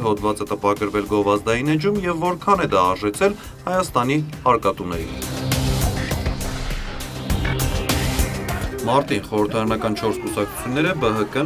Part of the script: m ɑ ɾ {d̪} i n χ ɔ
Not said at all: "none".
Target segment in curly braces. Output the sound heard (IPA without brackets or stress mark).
t̪